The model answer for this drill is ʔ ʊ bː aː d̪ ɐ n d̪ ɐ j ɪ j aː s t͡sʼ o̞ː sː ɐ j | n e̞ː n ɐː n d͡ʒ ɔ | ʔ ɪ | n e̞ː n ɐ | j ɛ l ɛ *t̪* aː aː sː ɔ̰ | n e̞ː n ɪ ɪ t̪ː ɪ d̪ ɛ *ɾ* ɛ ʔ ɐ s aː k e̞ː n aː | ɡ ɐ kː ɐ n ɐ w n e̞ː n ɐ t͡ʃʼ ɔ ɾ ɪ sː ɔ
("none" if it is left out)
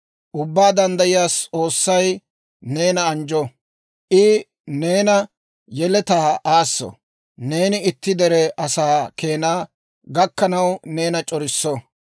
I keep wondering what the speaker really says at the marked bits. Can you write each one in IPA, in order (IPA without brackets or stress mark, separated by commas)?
t̪, ɾ